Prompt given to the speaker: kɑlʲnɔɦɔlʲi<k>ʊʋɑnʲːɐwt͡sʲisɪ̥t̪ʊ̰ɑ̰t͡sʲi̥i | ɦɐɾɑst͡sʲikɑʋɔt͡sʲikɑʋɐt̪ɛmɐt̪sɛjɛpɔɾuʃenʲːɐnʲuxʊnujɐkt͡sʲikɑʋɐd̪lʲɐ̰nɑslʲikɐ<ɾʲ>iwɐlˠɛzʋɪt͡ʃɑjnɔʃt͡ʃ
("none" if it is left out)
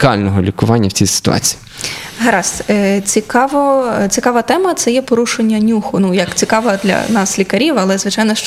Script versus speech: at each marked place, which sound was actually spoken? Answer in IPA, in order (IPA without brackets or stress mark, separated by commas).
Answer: k, ɾʲ